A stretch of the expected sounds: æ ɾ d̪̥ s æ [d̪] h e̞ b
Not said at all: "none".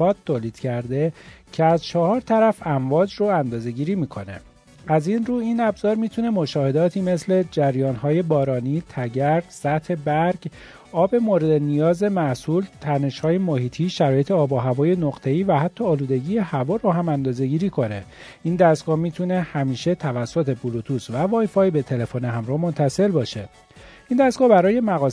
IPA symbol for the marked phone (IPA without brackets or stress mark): t̪